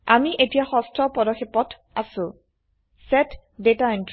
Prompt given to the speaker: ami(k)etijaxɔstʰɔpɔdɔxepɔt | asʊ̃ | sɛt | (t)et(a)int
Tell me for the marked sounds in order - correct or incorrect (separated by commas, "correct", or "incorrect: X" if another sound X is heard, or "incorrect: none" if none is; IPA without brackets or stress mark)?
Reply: incorrect: ʔ, incorrect: d, correct